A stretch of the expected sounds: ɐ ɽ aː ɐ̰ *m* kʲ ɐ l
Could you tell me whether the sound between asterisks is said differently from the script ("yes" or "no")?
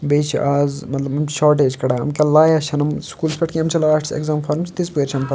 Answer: no